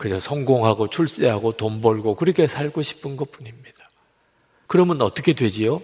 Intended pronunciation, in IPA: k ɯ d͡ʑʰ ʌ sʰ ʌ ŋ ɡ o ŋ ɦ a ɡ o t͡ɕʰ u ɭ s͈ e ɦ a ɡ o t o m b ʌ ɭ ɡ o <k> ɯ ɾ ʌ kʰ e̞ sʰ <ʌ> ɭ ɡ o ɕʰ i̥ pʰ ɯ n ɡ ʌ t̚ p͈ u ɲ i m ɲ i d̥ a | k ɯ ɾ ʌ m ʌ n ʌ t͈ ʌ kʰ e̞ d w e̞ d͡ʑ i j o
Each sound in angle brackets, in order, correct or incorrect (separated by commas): correct, incorrect